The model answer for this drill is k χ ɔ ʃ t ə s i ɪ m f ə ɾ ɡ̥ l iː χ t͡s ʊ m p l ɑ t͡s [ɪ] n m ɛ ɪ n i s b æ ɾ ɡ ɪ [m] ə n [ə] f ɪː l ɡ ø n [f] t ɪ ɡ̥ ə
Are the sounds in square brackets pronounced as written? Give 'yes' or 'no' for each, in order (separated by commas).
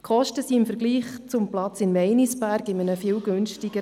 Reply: yes, yes, yes, no